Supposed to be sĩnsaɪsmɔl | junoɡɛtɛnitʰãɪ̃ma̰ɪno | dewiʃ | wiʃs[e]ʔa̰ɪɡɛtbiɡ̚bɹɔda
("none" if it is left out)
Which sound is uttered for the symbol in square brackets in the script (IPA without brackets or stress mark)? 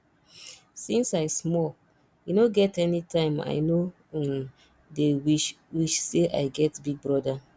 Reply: e